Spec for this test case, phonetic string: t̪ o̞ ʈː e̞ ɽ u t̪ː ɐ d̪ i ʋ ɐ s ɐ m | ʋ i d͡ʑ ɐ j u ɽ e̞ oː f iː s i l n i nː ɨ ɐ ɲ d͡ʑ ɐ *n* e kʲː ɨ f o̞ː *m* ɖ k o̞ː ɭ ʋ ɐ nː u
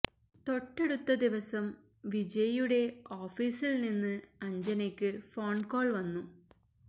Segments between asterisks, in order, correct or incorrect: correct, incorrect: ɳ

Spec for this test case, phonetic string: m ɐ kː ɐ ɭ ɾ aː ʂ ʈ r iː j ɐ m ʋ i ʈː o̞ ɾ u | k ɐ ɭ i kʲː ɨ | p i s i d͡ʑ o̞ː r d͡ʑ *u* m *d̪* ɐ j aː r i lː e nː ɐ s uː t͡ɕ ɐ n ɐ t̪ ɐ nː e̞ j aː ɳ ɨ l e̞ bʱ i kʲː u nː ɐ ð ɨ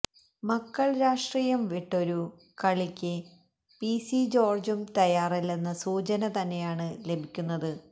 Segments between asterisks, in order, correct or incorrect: correct, incorrect: t̪

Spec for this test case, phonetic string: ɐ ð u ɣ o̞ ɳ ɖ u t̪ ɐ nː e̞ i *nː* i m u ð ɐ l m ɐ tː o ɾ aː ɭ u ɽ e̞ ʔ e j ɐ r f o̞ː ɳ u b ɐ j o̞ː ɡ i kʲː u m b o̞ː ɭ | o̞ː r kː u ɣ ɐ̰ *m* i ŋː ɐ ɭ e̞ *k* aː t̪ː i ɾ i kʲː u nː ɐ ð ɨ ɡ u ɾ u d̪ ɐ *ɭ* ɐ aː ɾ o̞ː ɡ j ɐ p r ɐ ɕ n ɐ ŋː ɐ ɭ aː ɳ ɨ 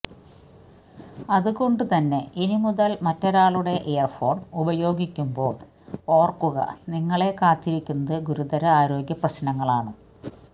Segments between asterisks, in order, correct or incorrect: incorrect: n, incorrect: n, correct, incorrect: ɾ

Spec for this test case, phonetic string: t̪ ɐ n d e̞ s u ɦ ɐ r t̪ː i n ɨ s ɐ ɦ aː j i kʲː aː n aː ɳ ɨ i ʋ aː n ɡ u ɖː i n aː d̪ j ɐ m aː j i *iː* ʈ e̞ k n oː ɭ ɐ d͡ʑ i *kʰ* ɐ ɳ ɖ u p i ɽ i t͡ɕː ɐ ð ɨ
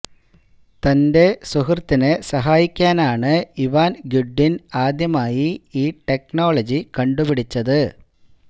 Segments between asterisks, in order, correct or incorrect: correct, incorrect: k

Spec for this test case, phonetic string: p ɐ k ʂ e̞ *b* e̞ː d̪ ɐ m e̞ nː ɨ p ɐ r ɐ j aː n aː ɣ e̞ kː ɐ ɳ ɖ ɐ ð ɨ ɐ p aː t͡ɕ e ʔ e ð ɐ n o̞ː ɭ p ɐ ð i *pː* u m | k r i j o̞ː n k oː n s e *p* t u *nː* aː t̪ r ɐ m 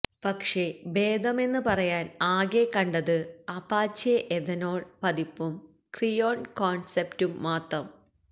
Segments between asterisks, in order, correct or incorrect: correct, correct, correct, incorrect: mː

